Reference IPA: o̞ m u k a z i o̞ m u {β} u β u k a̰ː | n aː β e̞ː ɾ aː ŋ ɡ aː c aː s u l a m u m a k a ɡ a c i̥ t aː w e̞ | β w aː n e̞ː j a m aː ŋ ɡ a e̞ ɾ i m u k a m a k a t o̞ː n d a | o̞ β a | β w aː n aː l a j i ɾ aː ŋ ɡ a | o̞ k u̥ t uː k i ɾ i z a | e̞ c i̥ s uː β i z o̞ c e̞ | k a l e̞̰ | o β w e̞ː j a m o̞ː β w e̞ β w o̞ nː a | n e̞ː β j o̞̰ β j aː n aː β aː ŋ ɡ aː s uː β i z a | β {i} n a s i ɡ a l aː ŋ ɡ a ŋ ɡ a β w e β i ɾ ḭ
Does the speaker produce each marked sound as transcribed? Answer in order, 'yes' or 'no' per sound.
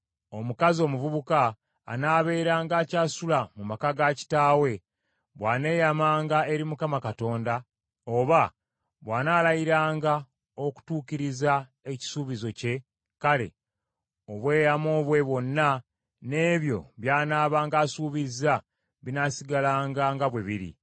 no, yes

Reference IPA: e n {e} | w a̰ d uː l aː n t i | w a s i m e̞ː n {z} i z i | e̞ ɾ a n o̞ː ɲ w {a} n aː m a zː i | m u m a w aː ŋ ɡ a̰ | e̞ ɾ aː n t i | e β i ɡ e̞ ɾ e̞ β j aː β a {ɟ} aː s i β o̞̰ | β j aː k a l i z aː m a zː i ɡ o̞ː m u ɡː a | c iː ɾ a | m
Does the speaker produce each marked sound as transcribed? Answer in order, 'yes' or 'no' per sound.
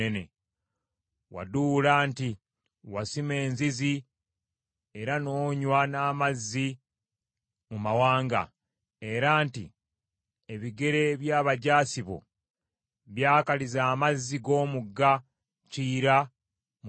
yes, yes, yes, yes

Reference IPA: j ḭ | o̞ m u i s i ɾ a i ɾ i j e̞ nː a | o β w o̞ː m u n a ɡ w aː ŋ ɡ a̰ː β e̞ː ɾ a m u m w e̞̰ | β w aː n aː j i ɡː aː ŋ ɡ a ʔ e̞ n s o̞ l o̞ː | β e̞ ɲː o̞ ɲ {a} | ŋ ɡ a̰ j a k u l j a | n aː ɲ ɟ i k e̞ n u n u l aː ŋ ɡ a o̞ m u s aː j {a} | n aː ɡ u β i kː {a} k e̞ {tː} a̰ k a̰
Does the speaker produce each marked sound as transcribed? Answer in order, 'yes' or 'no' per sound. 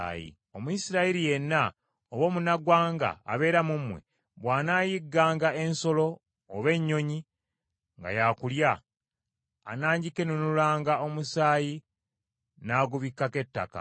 no, no, yes, yes

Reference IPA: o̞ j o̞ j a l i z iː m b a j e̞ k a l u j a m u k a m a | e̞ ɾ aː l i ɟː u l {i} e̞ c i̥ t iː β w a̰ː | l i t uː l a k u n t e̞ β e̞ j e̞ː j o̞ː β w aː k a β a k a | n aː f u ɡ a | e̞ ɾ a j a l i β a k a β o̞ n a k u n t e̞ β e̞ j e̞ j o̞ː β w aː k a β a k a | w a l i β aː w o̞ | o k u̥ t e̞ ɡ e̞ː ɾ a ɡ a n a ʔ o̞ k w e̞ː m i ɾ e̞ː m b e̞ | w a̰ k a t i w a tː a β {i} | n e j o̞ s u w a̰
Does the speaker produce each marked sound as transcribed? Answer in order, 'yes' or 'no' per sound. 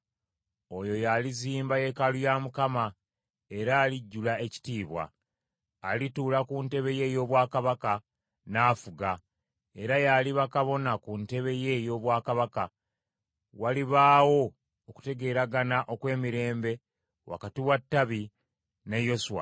no, yes

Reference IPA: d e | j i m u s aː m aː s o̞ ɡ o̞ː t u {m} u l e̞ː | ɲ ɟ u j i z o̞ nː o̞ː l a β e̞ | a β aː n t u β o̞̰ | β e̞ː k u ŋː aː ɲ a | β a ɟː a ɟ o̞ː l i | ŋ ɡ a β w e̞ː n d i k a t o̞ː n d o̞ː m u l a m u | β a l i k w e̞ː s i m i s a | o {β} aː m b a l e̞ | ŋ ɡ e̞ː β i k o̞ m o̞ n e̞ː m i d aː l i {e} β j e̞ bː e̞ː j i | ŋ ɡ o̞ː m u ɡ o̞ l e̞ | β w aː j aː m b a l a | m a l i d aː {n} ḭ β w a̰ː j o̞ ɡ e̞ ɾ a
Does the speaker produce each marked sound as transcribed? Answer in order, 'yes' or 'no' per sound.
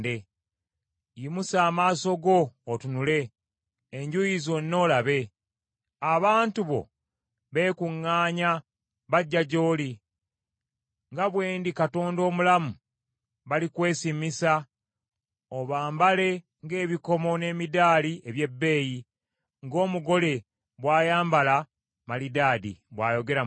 no, yes, yes, no

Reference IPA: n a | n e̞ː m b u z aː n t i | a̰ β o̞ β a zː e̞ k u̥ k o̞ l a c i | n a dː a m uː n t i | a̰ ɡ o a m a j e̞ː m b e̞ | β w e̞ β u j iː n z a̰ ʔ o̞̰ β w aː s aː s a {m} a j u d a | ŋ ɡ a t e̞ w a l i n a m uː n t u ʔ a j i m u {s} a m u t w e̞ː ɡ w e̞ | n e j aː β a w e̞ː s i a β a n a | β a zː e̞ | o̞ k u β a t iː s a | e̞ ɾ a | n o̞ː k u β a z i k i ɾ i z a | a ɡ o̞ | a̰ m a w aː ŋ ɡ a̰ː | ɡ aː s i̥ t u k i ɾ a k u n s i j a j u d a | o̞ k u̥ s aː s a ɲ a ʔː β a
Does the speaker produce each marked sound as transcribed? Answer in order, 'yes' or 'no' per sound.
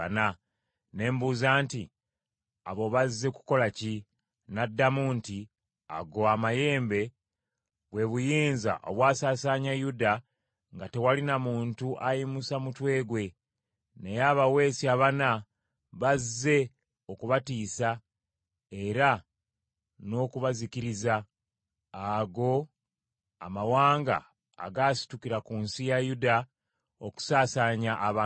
no, yes

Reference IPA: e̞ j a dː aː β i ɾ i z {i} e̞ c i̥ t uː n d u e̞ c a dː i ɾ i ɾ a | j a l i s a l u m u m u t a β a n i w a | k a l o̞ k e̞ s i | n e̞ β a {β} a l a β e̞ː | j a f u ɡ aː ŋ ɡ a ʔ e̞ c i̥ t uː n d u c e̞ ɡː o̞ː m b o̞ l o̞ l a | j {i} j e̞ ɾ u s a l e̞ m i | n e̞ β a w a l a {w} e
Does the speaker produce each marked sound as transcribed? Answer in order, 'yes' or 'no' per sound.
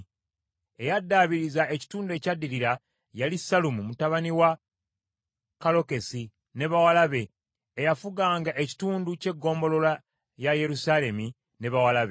no, no, no, no

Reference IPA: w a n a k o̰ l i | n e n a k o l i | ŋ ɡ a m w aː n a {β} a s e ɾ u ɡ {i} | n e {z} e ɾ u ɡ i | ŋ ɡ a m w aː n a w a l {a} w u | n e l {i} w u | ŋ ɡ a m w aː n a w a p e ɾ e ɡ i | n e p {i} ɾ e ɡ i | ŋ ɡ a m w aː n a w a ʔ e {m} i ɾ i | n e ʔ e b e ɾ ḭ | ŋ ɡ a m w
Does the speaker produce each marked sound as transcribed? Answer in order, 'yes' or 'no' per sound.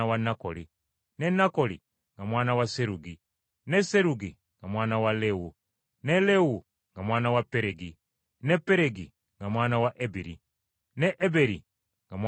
no, yes, no, no, no, no, no

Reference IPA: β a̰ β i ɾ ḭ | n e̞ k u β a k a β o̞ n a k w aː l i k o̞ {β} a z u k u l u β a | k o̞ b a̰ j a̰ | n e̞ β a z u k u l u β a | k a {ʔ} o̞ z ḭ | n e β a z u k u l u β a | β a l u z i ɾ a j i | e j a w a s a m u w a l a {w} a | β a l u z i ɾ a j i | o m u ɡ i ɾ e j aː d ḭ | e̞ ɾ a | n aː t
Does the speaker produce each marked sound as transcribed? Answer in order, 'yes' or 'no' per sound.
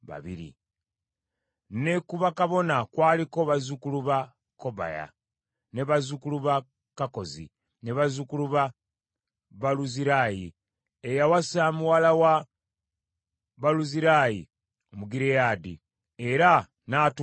yes, no, yes

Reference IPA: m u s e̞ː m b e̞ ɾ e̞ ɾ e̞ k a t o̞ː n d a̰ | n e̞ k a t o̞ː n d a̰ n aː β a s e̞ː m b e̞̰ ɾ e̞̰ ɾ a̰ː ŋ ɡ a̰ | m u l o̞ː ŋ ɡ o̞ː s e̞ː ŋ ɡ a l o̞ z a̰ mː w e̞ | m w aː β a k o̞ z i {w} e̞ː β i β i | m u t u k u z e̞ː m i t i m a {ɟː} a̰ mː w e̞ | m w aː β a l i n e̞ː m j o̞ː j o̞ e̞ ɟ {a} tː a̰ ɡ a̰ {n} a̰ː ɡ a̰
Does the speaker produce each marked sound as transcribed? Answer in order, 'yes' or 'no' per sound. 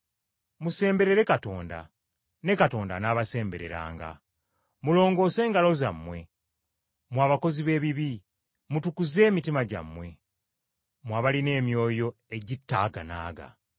no, no, no, yes

